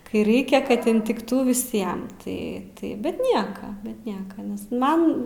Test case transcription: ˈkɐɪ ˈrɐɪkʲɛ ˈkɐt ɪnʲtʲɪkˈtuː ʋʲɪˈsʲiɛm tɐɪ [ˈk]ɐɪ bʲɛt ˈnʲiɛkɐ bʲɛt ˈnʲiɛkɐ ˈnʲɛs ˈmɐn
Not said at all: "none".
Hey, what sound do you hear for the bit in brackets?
t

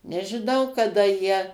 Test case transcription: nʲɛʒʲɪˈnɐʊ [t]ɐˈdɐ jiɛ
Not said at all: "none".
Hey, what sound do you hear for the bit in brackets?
k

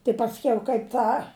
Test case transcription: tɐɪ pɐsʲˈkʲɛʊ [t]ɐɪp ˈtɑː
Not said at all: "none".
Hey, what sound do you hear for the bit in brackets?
k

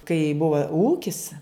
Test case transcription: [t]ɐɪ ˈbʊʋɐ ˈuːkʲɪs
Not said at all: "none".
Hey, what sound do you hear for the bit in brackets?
k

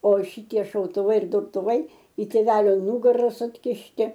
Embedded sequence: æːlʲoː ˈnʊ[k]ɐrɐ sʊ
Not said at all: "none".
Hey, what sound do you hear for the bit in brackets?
ɡ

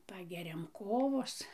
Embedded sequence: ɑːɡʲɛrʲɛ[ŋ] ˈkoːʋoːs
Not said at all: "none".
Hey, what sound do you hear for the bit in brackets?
m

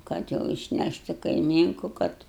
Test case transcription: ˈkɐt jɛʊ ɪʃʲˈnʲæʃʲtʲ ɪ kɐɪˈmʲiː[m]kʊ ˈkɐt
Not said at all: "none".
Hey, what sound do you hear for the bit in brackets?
ŋ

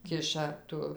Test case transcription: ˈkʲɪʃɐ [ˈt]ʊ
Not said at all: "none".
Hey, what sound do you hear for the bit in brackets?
t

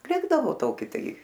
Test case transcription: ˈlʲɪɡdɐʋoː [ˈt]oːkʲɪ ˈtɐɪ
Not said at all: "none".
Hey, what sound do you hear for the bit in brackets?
t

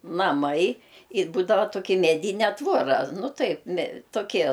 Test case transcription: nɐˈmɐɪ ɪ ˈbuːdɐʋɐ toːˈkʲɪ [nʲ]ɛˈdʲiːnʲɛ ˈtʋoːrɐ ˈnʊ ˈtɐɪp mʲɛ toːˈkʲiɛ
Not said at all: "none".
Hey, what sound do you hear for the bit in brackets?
mʲ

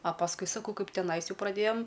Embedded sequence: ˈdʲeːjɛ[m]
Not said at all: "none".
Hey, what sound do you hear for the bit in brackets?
m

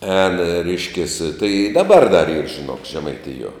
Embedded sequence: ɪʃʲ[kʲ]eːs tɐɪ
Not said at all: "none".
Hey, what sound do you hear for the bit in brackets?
kʲ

